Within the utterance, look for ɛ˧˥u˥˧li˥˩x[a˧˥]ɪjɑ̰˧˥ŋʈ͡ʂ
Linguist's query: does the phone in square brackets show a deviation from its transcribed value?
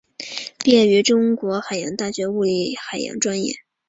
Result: yes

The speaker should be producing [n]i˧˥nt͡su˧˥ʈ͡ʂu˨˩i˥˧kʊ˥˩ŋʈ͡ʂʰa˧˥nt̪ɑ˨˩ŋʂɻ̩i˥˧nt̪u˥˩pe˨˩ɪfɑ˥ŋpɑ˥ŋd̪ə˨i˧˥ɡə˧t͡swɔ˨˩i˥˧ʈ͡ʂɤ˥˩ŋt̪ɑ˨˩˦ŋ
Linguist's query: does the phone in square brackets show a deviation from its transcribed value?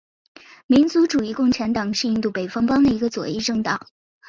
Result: yes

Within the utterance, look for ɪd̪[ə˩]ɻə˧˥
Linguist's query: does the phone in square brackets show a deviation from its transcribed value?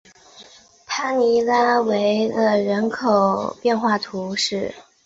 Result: yes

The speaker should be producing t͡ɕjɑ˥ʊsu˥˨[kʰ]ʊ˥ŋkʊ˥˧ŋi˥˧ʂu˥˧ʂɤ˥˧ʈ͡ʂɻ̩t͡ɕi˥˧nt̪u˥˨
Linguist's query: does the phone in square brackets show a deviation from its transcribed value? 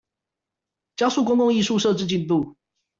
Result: yes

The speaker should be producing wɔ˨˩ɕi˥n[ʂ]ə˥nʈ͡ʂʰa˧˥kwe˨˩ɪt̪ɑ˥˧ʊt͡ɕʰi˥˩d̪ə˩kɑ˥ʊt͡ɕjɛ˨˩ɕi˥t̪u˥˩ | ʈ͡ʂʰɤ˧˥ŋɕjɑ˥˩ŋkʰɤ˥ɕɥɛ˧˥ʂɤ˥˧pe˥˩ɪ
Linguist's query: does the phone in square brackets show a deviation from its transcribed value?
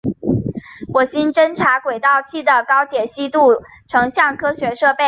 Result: yes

